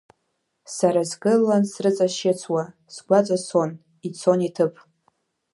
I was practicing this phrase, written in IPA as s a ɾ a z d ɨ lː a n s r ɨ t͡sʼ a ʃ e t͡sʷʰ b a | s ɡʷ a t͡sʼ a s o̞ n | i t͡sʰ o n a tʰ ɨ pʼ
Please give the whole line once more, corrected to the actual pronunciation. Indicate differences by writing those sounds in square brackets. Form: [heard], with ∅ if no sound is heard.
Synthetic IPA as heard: s a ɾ a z [ɡ] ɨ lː a n s r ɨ t͡sʼ a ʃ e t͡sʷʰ [w] a | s ɡʷ a t͡sʼ a s o̞ n | i t͡sʰ o n [i] tʰ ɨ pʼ